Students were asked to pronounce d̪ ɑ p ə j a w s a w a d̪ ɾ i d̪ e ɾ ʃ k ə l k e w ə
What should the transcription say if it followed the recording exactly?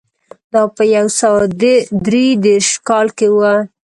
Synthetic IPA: d̪ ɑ p ə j a w s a w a d̪ ɾ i d̪ e ɾ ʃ k ɑ l k e w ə